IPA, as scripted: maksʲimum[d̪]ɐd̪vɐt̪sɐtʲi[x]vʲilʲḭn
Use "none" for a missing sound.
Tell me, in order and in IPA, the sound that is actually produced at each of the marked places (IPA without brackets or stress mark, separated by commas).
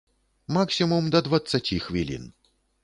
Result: d̪, x